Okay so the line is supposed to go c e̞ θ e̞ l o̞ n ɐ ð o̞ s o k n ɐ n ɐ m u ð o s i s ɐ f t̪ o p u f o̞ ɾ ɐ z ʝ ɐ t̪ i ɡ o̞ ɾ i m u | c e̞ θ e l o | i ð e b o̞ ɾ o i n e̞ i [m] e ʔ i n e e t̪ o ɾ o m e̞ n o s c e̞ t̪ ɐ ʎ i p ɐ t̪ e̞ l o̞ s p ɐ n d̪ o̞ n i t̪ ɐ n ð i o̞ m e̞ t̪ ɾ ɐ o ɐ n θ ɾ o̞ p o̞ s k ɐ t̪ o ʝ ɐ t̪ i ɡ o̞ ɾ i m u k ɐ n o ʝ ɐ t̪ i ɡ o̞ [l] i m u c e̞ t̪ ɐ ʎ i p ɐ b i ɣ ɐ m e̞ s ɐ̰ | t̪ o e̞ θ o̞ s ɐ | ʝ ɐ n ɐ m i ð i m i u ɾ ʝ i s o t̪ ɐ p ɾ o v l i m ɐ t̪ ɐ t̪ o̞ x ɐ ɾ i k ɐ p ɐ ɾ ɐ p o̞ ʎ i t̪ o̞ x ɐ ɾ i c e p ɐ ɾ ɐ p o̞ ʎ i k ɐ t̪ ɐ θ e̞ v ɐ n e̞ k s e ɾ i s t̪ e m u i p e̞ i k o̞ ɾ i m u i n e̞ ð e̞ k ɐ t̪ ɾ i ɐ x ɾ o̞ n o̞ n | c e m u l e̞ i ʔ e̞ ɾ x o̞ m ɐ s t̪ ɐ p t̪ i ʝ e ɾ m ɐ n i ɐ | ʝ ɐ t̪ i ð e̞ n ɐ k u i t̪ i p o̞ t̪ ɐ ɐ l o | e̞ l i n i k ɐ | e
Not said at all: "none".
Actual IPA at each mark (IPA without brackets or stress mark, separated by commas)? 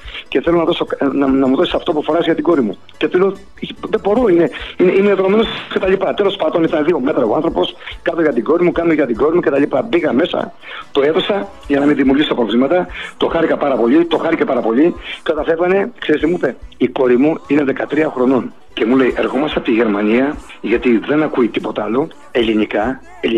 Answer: n, ɾ